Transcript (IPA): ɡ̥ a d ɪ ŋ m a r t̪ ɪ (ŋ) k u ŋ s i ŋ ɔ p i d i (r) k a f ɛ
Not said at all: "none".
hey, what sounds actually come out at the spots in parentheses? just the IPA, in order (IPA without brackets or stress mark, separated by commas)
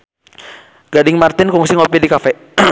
n, none